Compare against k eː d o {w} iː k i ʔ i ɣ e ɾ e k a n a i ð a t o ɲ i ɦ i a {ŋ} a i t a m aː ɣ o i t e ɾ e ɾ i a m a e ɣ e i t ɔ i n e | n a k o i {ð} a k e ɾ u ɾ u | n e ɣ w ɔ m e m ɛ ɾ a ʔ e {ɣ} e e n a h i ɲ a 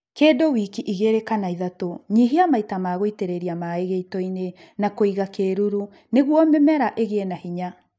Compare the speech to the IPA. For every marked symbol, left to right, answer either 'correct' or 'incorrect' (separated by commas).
correct, incorrect, incorrect, correct